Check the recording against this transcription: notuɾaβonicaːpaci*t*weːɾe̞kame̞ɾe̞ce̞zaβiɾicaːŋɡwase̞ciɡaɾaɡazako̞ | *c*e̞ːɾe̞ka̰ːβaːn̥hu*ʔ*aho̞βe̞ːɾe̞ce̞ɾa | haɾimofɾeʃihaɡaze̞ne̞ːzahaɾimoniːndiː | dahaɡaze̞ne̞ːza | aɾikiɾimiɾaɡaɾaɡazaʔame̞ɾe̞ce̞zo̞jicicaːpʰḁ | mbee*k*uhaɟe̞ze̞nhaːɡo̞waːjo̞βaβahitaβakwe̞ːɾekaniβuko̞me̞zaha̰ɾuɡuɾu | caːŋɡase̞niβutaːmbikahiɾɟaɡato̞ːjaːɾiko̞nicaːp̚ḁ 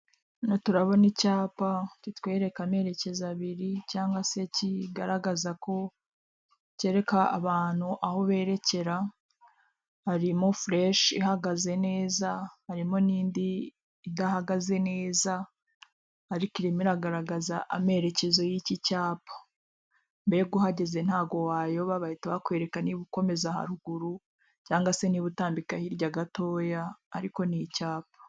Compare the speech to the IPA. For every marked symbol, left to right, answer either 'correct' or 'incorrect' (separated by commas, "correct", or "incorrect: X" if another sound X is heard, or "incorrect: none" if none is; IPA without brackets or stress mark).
correct, correct, correct, incorrect: ɡ